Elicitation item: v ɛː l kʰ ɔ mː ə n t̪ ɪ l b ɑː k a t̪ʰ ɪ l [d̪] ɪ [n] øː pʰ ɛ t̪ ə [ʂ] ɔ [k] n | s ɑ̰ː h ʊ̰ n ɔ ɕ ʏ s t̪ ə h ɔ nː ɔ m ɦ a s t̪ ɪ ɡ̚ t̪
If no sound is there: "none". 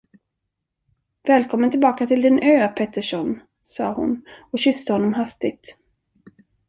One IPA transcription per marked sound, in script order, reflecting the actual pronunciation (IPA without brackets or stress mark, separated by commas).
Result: d̪, n, ʂ, none